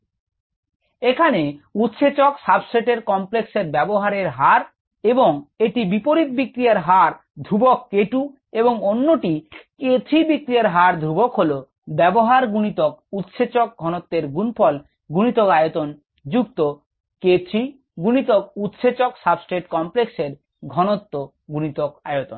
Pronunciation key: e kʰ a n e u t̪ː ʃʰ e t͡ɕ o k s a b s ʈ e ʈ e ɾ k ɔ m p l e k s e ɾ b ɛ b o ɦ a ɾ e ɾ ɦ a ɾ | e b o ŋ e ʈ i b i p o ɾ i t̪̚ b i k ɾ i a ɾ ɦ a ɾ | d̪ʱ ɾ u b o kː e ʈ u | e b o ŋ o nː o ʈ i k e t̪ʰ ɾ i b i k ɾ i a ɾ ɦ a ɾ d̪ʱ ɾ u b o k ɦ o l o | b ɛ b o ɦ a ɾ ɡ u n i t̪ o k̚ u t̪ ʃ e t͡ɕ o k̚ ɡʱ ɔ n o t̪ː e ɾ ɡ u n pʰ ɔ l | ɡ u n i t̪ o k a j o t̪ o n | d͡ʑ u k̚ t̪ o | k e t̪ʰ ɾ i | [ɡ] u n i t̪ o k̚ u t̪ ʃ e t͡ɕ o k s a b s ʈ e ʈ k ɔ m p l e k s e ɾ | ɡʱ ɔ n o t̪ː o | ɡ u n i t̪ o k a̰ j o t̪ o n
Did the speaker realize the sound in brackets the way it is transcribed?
yes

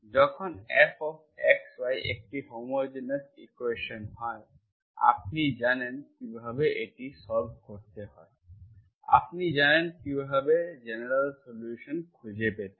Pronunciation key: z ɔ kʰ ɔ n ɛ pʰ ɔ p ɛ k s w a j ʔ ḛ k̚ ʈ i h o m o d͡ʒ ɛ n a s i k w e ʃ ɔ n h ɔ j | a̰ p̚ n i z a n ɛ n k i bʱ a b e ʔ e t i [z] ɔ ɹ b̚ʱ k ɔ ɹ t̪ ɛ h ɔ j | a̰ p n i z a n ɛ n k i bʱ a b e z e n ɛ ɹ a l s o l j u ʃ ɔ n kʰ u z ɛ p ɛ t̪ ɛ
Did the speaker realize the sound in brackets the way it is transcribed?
no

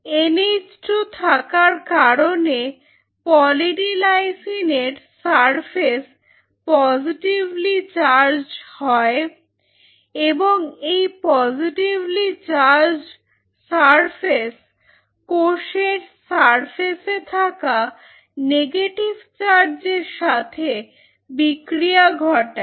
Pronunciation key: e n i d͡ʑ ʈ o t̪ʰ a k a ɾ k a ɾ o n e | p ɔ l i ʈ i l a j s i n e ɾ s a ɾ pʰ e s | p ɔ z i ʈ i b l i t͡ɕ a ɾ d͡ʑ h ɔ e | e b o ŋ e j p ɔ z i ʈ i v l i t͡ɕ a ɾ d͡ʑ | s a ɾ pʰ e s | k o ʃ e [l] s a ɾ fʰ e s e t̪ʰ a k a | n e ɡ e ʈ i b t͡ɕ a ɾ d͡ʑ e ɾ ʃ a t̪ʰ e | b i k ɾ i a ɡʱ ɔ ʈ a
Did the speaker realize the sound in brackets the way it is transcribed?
no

